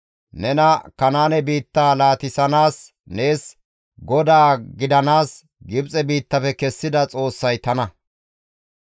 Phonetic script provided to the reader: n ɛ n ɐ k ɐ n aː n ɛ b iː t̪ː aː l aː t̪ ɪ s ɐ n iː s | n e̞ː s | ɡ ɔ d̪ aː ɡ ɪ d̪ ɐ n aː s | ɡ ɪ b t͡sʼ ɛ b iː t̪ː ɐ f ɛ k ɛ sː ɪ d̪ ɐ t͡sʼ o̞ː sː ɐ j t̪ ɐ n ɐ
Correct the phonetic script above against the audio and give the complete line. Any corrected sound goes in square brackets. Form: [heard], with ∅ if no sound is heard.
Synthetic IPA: n ɛ n ɐ k ɐ n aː n ɛ b iː t̪ː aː l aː t̪ ɪ s ɐ n [aː] s | n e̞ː s | ɡ ɔ d̪ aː ɡ ɪ d̪ ɐ n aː s | ɡ ɪ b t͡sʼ ɛ b iː t̪ː ɐ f ɛ k ɛ sː ɪ d̪ ɐ t͡sʼ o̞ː sː ɐ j t̪ ɐ n ɐ